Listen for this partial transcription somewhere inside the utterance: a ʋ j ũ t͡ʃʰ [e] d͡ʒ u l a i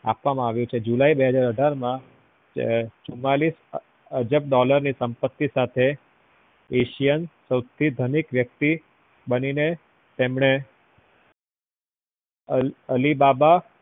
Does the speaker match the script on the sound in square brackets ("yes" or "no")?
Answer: yes